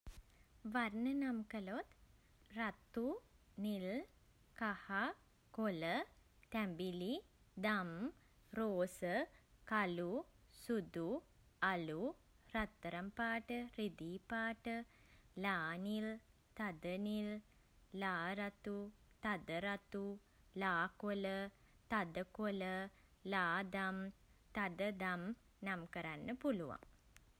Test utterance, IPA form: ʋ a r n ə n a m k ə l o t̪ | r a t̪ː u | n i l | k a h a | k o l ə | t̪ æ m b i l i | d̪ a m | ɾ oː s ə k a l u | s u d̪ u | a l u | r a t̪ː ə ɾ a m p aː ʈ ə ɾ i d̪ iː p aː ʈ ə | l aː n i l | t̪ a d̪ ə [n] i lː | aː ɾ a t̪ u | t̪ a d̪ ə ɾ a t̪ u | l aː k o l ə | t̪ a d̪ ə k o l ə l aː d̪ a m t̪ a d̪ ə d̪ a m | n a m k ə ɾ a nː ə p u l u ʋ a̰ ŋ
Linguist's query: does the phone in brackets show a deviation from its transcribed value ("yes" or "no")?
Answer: no